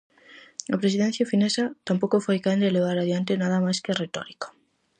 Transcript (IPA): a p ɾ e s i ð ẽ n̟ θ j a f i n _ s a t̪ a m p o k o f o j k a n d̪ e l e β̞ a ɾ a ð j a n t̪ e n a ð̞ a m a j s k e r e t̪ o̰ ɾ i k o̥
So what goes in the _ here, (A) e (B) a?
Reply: A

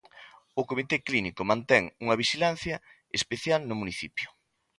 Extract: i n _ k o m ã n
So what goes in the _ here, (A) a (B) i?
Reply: B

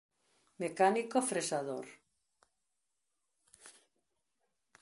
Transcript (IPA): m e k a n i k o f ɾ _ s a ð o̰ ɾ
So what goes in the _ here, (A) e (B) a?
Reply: A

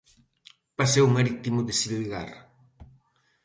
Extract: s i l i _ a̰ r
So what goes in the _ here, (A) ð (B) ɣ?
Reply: B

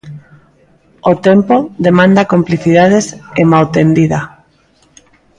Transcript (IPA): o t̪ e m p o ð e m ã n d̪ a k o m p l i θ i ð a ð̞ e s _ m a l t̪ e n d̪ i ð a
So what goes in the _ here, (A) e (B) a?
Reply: A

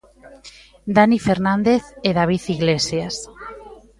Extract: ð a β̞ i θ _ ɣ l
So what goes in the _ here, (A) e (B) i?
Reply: B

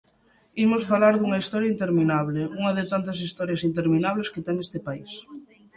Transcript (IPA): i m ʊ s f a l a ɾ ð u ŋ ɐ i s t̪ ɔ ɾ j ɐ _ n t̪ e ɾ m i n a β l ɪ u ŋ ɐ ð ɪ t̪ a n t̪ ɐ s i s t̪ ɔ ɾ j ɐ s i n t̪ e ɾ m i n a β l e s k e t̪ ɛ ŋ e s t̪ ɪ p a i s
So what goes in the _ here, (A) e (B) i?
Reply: B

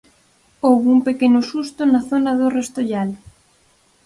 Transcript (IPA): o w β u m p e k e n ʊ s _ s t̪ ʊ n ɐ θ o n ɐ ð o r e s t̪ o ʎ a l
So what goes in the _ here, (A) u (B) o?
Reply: A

